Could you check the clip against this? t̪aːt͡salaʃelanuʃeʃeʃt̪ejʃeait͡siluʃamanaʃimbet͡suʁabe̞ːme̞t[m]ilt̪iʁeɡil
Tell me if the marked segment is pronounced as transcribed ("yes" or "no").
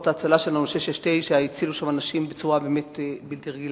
no